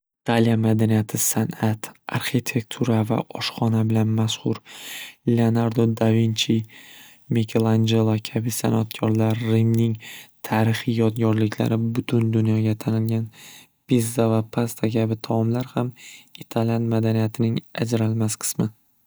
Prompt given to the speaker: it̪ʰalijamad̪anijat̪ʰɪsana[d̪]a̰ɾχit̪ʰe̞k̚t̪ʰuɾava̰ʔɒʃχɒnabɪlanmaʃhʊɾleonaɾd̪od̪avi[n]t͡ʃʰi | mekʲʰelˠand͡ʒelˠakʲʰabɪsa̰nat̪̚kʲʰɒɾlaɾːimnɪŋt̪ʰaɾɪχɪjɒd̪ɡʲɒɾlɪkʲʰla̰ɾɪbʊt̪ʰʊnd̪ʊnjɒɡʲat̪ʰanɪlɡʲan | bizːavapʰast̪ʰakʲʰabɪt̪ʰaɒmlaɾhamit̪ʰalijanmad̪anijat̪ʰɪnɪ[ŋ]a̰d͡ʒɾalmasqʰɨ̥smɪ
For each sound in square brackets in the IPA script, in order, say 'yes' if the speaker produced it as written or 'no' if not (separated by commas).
no, yes, yes